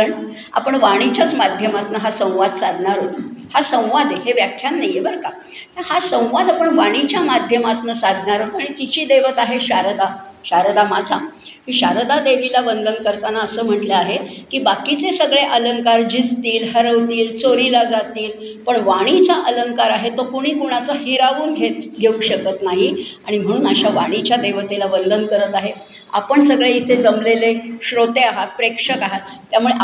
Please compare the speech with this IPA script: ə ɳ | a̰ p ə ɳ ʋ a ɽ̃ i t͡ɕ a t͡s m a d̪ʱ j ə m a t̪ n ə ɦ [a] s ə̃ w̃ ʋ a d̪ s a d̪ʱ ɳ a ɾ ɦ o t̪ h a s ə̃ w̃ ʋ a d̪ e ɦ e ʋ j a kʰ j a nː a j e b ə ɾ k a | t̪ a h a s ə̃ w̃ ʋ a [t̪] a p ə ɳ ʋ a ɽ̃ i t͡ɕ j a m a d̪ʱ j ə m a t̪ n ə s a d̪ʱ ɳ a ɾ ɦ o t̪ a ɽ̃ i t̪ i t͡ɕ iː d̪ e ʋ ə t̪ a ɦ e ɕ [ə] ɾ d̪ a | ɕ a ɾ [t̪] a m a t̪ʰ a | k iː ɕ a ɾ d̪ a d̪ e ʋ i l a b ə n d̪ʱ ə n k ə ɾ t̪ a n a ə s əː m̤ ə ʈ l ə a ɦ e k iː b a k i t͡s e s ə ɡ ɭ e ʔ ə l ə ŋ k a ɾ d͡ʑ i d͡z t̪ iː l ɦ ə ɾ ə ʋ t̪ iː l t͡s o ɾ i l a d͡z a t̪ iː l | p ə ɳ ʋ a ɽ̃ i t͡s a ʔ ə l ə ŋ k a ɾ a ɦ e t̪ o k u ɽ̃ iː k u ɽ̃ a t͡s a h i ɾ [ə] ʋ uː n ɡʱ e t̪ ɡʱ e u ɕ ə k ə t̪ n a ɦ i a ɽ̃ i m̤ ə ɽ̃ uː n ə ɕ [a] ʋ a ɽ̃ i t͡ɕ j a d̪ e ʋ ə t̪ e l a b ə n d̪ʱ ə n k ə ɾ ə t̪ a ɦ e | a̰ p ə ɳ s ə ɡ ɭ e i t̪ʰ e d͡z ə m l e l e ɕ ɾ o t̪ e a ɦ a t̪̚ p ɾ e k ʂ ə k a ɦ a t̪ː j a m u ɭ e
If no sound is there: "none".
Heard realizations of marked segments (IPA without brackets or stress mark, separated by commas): a, d̪, a, d̪, a, a